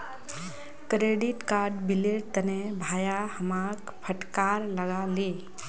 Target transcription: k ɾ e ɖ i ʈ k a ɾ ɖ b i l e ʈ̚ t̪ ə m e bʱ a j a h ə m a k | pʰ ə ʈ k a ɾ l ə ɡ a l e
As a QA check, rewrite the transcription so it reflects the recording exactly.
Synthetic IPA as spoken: k ɾ e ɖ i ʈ k a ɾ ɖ b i l e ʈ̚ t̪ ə n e bʱ a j a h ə m a k | pʰ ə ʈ k a ɾ l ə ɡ a l e